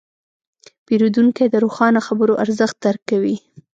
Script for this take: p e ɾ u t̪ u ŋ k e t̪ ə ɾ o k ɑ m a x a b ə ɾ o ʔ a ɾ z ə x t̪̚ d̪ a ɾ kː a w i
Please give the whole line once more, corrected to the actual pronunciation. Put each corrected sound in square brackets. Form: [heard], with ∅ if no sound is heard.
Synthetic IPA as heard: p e ɾ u [d̪] u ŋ k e [d̪] ə ɾ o [x] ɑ [n] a x a b ə ɾ o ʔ a ɾ z ə x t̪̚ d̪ a ɾ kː a w i